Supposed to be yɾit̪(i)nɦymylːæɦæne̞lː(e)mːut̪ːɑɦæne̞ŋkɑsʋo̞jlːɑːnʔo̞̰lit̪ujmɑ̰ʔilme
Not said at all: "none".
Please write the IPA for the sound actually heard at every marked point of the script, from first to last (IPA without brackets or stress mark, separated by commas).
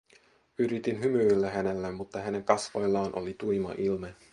i, æ